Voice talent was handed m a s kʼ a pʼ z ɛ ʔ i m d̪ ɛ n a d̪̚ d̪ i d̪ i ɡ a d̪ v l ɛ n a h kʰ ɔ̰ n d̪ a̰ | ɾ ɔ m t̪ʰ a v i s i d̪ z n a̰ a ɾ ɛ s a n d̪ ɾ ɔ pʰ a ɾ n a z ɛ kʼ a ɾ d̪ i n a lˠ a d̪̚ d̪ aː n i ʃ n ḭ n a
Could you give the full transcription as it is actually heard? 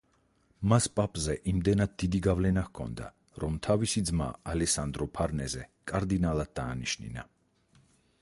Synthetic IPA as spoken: m a s pʼ a pʼ z ɛ ʔ i m d̪ ɛ n a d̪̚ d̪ i d̪ i ɡ a v l ɛ n a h kʰ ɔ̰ n d̪ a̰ | ɾ ɔ m t̪ʰ a v i s i d̪ z m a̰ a l ɛ s a n d̪ ɾ ɔ pʰ a ɾ n ɛ z ɛ kʼ a ɾ d̪ i n a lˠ a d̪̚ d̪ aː n i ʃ n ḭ n a